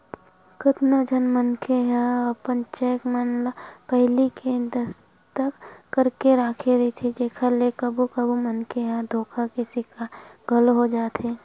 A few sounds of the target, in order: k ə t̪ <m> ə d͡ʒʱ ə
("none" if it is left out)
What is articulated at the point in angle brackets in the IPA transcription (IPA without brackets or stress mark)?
n